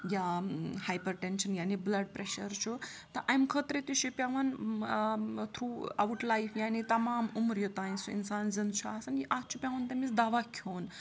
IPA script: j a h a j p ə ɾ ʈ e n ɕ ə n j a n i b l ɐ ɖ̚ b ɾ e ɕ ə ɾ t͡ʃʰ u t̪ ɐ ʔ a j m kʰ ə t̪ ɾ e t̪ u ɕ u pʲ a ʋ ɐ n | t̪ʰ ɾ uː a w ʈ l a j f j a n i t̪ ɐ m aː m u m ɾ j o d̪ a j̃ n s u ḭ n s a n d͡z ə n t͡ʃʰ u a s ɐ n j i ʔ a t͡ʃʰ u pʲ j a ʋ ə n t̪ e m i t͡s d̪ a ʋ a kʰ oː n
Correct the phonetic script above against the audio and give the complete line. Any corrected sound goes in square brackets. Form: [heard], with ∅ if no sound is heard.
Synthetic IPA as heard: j a h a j p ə ɾ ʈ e n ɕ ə n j a n i b l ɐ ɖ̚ [p] ɾ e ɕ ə ɾ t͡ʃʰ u t̪ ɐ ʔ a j m kʰ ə t̪ ɾ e t̪ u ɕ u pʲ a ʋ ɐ n | t̪ʰ ɾ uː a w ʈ l a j f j a n i t̪ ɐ m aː m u m ɾ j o [t̪] a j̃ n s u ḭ n s a n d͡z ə n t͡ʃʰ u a s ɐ n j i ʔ a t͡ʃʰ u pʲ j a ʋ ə n t̪ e m i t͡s d̪ a ʋ a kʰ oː n